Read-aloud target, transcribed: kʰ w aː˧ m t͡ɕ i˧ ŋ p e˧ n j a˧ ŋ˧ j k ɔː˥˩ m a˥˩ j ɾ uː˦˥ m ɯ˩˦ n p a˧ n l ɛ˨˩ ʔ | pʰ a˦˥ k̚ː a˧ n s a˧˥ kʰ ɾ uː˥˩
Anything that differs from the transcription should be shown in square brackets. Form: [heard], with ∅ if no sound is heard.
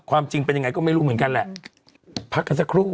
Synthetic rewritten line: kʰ w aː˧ m t͡ɕ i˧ ŋ p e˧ n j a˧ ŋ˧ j k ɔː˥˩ m a˥˩ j ɾ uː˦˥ m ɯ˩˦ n [k] a˧ n l ɛ˨˩ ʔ | pʰ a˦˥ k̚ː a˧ n s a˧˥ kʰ ɾ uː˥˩